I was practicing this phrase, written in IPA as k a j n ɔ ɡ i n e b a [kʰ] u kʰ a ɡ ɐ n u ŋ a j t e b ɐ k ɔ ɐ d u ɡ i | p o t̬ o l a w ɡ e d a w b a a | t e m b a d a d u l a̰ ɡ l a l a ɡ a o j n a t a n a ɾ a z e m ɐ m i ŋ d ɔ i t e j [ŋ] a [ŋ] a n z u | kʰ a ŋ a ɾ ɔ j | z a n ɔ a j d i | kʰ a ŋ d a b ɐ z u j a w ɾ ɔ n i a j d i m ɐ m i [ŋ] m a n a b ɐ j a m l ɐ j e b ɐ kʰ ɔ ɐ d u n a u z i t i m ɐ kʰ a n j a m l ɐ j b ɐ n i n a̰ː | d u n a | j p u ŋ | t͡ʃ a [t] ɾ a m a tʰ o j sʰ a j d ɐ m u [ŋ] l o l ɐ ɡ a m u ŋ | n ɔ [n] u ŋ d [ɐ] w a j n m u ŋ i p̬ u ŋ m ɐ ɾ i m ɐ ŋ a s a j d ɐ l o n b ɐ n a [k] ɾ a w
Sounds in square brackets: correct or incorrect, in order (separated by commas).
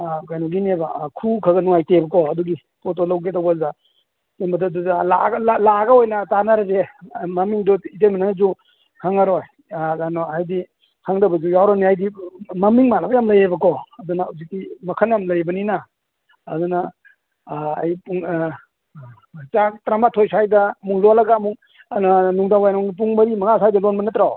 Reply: correct, incorrect, incorrect, correct, correct, correct, correct, incorrect, incorrect